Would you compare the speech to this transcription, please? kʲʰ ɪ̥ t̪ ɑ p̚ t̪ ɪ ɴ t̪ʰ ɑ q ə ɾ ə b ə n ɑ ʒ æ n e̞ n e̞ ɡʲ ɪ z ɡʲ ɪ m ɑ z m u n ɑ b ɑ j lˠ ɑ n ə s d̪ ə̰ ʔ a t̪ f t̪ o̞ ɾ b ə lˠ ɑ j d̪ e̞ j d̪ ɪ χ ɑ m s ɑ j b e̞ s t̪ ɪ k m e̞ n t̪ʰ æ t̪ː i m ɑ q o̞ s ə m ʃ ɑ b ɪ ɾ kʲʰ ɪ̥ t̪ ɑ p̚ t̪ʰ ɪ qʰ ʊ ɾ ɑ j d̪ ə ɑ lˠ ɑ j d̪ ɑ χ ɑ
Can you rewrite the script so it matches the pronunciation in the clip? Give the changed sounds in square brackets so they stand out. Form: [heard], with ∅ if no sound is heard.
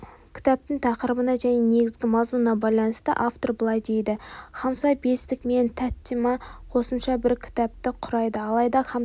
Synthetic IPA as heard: kʲʰ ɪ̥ t̪ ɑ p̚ t̪ ɪ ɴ t̪ʰ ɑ q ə ɾ ə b ə n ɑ ʒ æ n e̞ n e̞ ɡʲ ɪ z ɡʲ ɪ m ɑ z m u n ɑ b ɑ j lˠ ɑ n ə s [t̪] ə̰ ʔ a [∅] f t̪ o̞ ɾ b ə lˠ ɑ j d̪ e̞ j d̪ ɪ χ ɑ m s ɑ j b e̞ s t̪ ɪ k m e̞ n t̪ʰ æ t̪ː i m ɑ [qʰ] o̞ s ə m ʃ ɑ b ɪ ɾ kʲʰ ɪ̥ t̪ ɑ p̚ [t̪] ɪ qʰ ʊ ɾ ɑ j d̪ ə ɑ lˠ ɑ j d̪ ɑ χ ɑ